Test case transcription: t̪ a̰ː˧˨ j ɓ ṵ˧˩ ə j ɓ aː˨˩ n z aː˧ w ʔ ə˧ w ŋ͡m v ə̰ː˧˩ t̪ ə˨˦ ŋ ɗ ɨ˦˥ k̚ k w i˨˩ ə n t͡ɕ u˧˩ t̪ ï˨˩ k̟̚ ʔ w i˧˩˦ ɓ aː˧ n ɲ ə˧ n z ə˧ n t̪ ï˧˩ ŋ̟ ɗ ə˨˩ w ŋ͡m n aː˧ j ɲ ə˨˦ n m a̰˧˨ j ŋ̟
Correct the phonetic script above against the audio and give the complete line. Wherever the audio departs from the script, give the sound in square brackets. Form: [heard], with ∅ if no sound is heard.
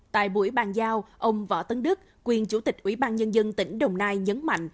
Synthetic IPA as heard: t̪ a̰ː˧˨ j ɓ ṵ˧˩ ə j ɓ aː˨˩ n z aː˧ w ʔ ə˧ w ŋ͡m v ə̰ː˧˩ t̪ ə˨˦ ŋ ɗ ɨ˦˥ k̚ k w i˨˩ ə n t͡ɕ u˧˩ t̪ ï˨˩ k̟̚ ʔ w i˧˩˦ ɓ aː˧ n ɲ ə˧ n z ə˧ n t̪ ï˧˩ ŋ̟ ɗ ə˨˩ w ŋ͡m n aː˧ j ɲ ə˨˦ n m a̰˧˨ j ŋ̟

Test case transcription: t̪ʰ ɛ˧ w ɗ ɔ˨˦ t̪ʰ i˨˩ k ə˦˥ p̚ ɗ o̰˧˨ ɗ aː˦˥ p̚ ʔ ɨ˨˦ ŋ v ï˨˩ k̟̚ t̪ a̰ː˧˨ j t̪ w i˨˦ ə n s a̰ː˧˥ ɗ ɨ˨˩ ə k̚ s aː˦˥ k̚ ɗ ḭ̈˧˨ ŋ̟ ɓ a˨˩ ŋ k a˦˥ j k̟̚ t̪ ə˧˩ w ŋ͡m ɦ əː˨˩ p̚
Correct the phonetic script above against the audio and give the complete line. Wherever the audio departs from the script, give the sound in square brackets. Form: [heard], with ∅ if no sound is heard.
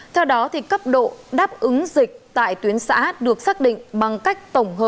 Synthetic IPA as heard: t̪ʰ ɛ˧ w ɗ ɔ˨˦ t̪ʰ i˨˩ k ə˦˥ p̚ ɗ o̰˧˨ ɗ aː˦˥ p̚ ʔ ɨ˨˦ ŋ [z] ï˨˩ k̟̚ t̪ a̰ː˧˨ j t̪ w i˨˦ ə n s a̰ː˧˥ ɗ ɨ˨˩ ə k̚ s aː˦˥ k̚ ɗ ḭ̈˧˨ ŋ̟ ɓ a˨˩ ŋ k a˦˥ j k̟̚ t̪ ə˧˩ w ŋ͡m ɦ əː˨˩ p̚

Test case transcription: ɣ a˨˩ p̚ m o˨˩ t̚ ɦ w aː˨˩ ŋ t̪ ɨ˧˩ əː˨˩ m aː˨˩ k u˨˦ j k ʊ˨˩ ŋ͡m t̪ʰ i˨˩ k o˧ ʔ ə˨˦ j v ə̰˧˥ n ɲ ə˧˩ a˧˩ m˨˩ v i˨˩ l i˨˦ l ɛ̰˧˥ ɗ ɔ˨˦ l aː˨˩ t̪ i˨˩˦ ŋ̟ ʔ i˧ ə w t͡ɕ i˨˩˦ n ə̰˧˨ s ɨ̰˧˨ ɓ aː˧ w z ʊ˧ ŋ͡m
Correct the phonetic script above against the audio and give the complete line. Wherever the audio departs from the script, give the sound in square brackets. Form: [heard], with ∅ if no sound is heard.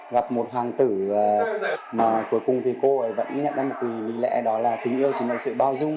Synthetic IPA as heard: ɣ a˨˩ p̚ m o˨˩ t̚ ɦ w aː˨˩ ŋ t̪ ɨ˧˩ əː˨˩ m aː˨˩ k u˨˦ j k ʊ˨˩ ŋ͡m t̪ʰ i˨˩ k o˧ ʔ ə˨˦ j v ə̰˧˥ n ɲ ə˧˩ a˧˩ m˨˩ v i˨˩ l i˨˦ l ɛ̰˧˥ ɗ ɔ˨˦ l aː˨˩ t̪ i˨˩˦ ŋ̟ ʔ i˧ ə w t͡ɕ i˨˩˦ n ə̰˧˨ s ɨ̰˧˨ ɓ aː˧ w z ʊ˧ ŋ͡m

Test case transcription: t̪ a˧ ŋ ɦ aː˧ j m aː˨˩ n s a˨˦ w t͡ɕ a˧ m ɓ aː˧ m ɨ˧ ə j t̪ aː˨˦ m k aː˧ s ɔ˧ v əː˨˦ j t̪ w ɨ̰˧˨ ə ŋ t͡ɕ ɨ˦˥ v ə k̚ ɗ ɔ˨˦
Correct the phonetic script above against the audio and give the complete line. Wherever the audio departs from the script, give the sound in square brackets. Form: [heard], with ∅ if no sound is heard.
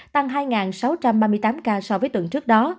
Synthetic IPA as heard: t̪ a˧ ŋ ɦ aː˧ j [ŋ] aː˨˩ n s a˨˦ w t͡ɕ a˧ m ɓ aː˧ m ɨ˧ ə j t̪ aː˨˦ m k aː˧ s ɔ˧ v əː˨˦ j t̪ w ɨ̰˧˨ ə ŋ t͡ɕ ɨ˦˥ [∅] ə k̚ ɗ ɔ˨˦

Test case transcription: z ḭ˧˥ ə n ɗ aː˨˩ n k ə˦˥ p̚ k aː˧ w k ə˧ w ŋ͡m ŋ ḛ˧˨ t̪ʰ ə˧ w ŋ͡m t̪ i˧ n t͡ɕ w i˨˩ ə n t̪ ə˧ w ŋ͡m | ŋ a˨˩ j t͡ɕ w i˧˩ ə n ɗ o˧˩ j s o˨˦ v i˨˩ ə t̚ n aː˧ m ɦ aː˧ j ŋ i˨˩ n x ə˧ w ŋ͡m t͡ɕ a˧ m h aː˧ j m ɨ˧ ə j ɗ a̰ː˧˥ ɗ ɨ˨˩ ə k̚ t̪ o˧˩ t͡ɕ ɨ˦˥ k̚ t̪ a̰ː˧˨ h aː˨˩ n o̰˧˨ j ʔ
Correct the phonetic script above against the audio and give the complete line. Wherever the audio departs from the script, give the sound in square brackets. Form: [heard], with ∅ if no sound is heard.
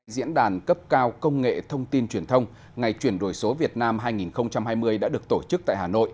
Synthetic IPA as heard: z ḭ˧˥ ə n ɗ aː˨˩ n k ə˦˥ p̚ k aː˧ w k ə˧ w ŋ͡m ŋ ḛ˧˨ t̪ʰ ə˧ w ŋ͡m t̪ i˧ n t͡ɕ w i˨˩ ə n [t̪ʰ] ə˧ w ŋ͡m | ŋ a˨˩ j t͡ɕ w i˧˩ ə n ɗ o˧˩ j s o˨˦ v i˨˩ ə t̚ n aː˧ m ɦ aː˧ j ŋ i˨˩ n x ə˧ w ŋ͡m t͡ɕ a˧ m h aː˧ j m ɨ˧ ə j ɗ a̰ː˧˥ ɗ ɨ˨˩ ə k̚ t̪ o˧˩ t͡ɕ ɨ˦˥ k̚ t̪ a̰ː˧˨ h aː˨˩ n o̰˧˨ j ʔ

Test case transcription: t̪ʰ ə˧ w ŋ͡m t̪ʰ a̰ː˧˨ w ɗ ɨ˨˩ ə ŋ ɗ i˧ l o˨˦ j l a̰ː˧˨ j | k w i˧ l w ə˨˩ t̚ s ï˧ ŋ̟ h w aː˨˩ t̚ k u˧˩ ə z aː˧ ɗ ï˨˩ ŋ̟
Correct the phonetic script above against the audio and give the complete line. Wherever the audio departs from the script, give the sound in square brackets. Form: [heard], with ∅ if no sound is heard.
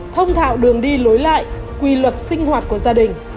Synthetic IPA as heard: t̪ʰ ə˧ w ŋ͡m t̪ʰ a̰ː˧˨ w ɗ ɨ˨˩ ə ŋ ɗ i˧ l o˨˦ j l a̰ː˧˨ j | k w i˧ l w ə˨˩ t̚ s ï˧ ŋ̟ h w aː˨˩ t̚ k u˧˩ ə z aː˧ ɗ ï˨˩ ŋ̟

